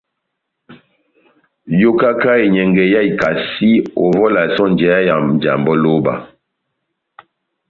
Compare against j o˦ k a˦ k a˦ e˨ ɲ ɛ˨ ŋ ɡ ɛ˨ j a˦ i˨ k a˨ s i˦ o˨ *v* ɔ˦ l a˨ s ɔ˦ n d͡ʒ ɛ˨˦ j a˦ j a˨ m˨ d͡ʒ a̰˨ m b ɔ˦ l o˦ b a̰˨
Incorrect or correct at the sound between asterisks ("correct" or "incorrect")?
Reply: correct